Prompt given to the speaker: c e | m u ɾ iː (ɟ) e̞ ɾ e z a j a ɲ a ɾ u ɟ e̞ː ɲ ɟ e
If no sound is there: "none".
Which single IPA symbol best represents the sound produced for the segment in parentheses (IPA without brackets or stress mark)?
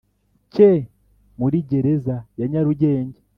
ɟ